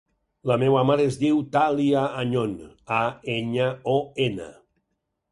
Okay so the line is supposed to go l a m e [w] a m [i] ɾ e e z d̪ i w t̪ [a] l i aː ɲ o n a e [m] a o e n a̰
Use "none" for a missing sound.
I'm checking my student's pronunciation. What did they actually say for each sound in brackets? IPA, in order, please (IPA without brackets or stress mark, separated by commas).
w, a, a, ɲ